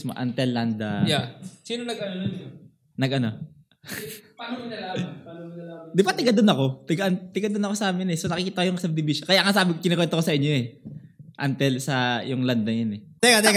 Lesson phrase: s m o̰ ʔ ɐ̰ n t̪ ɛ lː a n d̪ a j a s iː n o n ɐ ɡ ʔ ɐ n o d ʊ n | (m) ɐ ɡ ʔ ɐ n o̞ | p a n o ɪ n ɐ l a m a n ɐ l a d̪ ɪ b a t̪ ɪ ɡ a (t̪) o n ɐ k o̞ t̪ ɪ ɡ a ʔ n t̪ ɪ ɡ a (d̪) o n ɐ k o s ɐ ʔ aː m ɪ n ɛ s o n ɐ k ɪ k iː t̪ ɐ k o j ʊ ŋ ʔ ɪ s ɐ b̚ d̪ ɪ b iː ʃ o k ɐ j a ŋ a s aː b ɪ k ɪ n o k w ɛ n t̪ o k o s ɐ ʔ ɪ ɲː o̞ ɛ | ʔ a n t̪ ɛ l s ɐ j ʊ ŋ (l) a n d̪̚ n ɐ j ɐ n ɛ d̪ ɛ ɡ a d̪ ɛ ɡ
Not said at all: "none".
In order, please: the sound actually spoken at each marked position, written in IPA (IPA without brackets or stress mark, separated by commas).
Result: n, d̪, d̪, l